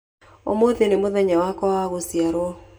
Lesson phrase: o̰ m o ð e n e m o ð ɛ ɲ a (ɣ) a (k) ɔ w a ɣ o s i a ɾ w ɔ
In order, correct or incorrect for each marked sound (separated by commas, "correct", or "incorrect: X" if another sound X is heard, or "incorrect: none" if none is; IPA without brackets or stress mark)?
incorrect: w, correct